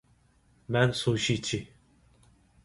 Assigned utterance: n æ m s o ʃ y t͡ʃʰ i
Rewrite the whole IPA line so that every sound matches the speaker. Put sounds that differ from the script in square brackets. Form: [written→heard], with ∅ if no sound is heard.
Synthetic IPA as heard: [n→m] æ [m→n] s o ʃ [y→i] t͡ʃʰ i